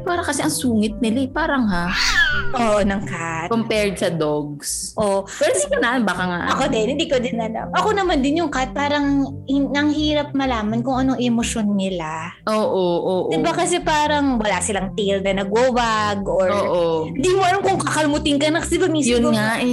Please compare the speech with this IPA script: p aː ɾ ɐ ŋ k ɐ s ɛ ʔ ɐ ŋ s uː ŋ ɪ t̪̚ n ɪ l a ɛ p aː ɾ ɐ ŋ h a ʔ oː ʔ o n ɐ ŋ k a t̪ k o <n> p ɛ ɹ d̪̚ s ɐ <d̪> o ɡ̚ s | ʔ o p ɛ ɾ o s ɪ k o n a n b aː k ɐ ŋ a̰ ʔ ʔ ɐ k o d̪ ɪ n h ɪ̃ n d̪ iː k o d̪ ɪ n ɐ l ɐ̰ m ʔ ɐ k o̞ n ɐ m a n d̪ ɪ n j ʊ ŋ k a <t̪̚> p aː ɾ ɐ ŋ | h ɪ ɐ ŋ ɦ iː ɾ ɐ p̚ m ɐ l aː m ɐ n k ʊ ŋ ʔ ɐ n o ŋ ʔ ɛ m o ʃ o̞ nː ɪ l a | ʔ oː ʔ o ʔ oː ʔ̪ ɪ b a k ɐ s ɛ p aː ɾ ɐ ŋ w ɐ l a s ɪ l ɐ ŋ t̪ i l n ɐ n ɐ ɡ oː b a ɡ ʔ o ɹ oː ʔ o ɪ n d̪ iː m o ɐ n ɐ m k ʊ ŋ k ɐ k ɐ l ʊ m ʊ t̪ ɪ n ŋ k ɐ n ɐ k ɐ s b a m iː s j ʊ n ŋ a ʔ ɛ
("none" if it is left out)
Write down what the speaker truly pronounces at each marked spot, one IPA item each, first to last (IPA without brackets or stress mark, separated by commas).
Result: m, d̪, t̪̚